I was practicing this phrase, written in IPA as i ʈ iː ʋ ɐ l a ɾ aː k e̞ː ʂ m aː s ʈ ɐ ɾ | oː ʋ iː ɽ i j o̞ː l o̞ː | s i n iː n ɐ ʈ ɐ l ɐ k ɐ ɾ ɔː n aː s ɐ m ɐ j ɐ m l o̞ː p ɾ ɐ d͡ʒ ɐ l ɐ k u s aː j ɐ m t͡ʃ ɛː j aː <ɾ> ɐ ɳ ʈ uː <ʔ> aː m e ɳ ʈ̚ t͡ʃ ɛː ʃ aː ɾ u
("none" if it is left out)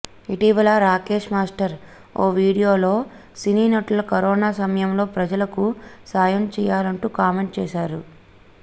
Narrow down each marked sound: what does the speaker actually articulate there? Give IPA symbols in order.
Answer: l, k

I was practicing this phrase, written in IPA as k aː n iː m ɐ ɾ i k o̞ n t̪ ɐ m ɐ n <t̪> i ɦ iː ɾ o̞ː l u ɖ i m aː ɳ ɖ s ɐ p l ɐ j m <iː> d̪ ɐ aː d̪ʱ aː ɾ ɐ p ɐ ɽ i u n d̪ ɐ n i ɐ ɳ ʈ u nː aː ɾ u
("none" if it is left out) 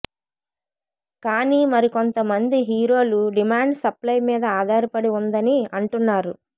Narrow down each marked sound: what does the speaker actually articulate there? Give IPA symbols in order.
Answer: d̪, iː

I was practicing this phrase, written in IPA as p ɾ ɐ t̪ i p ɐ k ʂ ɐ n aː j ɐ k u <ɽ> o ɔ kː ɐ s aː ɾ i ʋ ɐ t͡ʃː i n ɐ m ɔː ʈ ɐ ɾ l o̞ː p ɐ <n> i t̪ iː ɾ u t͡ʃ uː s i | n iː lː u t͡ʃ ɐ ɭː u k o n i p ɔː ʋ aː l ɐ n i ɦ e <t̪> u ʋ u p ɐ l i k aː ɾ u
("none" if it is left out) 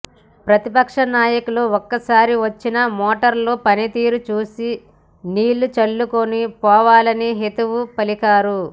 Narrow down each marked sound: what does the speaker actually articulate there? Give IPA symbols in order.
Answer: l, n, t̪

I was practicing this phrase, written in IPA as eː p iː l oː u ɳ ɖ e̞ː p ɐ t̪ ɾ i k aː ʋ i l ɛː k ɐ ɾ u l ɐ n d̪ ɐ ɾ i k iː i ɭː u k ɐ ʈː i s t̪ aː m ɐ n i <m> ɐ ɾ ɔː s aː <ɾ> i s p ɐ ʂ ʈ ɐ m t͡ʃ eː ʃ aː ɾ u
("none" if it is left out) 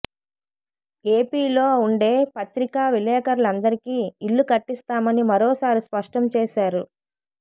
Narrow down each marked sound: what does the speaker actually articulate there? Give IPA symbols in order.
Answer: m, ɾ

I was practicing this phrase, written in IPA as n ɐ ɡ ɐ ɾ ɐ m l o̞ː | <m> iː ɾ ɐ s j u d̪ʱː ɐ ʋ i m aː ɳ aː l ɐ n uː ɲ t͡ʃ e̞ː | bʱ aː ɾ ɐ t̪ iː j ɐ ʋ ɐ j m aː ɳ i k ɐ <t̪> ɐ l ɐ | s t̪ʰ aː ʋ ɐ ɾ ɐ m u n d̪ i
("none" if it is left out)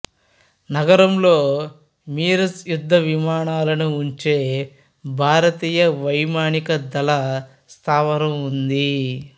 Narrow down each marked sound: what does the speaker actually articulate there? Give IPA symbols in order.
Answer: m, d̪

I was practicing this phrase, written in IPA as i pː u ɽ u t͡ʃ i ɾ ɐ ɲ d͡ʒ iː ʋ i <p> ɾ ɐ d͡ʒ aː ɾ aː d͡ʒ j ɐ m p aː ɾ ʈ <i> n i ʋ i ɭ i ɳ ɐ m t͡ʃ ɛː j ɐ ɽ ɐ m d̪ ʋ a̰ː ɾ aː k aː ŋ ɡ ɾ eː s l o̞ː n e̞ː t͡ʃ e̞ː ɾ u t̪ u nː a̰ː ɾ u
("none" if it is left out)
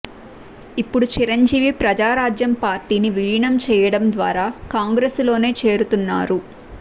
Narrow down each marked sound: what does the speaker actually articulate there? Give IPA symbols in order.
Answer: p, iː

